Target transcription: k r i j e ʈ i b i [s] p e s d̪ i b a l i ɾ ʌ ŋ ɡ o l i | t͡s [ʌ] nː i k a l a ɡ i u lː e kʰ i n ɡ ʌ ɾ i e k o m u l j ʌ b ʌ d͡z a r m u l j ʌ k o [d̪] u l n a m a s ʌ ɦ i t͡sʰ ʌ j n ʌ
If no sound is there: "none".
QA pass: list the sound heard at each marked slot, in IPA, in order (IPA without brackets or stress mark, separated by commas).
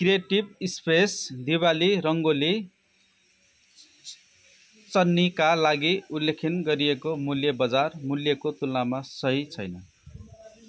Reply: s, ʌ, t̪